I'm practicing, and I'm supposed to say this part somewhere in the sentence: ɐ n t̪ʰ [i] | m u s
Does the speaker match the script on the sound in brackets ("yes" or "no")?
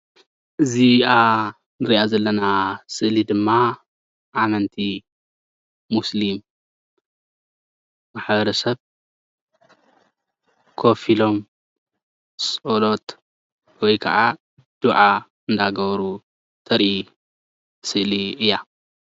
yes